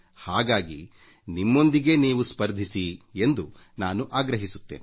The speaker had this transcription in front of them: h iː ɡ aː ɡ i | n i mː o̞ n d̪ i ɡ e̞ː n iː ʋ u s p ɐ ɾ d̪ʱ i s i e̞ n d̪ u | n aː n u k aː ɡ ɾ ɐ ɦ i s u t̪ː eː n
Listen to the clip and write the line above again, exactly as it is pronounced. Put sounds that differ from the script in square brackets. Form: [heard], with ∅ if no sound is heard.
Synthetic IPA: h [aː] ɡ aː ɡ i | n i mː o̞ n d̪ i ɡ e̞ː n iː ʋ u s p ɐ ɾ d̪ʱ i s i e̞ n d̪ u | n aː n u [ʔ] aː ɡ ɾ ɐ ɦ i s u t̪ː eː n